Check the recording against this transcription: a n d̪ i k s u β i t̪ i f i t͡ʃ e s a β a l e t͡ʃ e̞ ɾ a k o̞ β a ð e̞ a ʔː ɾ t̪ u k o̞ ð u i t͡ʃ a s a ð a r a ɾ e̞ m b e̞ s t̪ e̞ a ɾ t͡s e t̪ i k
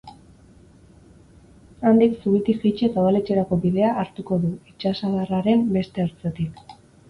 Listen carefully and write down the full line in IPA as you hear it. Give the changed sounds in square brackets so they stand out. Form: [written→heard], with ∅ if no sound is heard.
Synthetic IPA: a n d̪ i k s u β i t̪ i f i t͡ʃ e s a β a l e t͡ʃ e̞ ɾ a k o̞ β [a→i] ð e̞ a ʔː ɾ t̪ u k o̞ ð u i t͡ʃ a s a ð a r a ɾ e̞ m b e̞ s t̪ e̞ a ɾ t͡s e t̪ i k